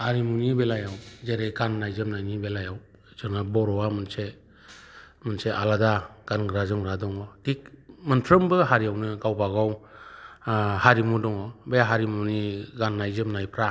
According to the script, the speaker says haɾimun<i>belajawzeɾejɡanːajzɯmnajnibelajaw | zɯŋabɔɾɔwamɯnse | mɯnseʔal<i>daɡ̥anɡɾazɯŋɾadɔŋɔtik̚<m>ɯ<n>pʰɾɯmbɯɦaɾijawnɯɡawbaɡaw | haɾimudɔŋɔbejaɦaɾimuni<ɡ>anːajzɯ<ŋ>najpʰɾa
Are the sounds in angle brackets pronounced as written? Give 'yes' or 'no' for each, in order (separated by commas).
yes, no, yes, yes, yes, no